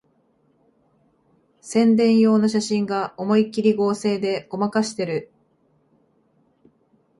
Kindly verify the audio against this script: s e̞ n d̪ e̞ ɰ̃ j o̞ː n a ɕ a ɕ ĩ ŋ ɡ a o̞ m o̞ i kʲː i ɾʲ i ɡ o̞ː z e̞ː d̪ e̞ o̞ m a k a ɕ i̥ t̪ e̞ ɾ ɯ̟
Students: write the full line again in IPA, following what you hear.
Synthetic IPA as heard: s ẽ̞ n d̪ ẽ̞ ɰ̃ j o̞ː n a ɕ a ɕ ĩ ŋ ɡ a o̞ m o̞ i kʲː i ɾʲ i ɡ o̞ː s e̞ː d̪ e̞ o̞ m a k a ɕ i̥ t̪ e̞ ɾ ɯ̟

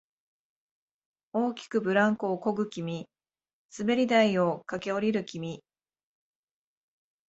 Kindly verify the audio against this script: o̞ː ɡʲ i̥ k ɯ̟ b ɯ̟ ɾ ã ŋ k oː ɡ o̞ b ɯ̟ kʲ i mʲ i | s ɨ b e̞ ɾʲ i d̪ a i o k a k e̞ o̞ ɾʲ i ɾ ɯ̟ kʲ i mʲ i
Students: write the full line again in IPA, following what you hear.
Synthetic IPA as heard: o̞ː kʲ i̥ k ɯ̟ b ɯ̟ ɾ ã ŋ k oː k o̞ ɡ ɯ̟ kʲ i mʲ i | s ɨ b e̞ ɾʲ i d̪ a i o k a k e̞ o̞ ɾʲ i ɾ ɯ̟ kʲ i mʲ i

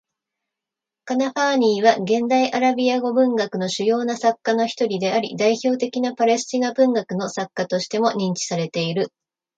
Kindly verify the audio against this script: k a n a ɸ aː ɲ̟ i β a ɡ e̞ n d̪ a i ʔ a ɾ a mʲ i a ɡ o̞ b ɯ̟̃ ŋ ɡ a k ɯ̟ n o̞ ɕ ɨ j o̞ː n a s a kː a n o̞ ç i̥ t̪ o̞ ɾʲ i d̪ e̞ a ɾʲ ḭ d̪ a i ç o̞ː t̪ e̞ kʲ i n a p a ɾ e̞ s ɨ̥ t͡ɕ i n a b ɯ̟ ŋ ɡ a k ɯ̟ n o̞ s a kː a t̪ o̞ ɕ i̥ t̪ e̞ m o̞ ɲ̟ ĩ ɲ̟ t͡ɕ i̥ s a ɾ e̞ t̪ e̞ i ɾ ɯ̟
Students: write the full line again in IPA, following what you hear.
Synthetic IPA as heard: k a n a ɸ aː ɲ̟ iː β a ɡ ẽ̞ n d̪ a i ʔ a ɾ a bʲ i a ɡ o̞ b ɯ̟̃ ŋ ɡ a k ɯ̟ n o̞ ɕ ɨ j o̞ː n a s a kː a n o̞ ç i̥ t̪ o̞ ɾʲ i d̪ e̞ a ɾʲ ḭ d̪ a i ç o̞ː t̪ e̞ kʲ i n a p a ɾ e̞ s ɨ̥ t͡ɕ i n a b ɯ̟̃ ŋ ɡ a k ɯ̟ n o̞ s a kː a t̪ o̞ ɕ i̥ t̪ e̞ m o̞ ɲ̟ ĩ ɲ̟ t͡ɕ i̥ s a ɾ e̞ t̪ e̞ i ɾ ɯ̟

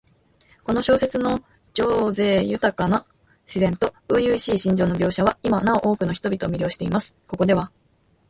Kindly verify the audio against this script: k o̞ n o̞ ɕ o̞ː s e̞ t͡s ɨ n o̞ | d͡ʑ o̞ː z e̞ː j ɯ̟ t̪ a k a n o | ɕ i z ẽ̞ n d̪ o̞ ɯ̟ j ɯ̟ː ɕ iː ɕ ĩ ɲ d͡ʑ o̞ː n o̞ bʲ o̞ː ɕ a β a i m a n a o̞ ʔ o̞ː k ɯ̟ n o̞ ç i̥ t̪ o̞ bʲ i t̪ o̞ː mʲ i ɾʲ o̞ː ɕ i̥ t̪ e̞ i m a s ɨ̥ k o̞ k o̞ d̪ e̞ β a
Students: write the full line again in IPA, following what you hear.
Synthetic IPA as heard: k o̞ n o̞ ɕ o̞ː s e̞ t͡s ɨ n o̞ | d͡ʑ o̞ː z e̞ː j ɯ̟ t̪ a k a n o | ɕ i z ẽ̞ n t̪ o̞ ɯ̟ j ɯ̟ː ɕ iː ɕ ĩ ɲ d͡ʑ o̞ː n o̞ bʲ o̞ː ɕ a β a i m a n a o̞ ʔ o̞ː k ɯ̟ n o̞ ç i̥ t̪ o̞ bʲ i t̪ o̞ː mʲ i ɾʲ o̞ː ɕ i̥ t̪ e̞ i m a s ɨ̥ k o̞ k o̞ d̪ e̞ β a

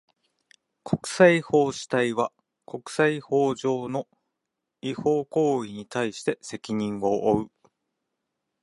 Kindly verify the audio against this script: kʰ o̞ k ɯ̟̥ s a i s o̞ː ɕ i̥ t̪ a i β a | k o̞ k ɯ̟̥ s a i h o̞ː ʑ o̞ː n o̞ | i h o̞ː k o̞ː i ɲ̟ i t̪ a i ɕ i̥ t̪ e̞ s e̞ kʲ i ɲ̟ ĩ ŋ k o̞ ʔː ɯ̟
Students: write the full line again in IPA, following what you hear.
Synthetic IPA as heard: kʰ o̞ k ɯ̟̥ s a i h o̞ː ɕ i̥ t̪ a i β a | k o̞ k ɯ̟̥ s a i h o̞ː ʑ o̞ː n o̞ | i h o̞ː k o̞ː i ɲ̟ i t̪ a i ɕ i̥ t̪ e̞ s e̞ kʲ i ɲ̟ ĩ ŋ ɡ o̞ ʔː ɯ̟

